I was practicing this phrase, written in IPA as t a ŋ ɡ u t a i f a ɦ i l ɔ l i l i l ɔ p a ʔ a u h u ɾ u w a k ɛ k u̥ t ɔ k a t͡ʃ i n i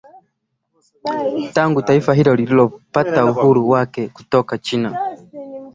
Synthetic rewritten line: t a ŋ ɡ u t a i f a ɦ i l ɔ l i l i l ɔ p a t a u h u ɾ u w a k ɛ k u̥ t ɔ k a t͡ʃ i n a